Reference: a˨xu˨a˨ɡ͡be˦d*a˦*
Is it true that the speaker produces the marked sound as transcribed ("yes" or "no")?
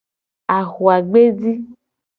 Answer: no